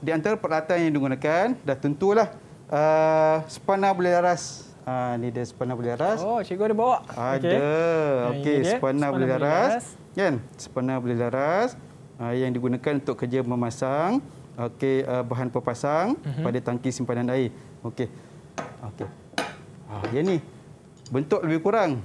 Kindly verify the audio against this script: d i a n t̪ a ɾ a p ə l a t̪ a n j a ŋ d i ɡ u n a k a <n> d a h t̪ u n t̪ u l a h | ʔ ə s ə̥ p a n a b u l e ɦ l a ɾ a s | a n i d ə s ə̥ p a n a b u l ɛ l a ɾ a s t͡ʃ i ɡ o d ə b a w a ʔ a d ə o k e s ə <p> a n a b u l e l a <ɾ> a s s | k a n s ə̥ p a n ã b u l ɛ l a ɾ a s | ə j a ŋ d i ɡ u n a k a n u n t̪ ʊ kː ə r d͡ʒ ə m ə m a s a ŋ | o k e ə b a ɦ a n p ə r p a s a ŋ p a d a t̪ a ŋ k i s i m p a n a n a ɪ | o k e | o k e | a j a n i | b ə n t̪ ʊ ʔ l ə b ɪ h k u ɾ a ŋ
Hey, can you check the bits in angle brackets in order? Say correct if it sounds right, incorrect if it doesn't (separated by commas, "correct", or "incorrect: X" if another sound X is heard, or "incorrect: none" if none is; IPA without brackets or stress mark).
correct, correct, correct